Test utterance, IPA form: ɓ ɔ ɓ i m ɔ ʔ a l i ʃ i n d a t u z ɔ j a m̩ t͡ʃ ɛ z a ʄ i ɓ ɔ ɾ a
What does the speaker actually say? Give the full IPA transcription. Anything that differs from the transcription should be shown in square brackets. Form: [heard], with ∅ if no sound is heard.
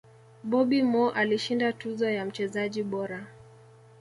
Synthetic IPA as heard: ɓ ɔ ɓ i m ɔ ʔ a l i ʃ i n d a t u z ɔ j a m̩ t͡ʃ ɛ z a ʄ i ɓ ɔ ɾ a